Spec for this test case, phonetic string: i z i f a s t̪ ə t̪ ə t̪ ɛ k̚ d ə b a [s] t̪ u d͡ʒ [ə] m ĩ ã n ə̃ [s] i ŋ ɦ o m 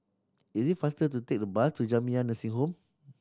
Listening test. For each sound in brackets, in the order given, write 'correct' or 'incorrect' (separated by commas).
correct, incorrect, correct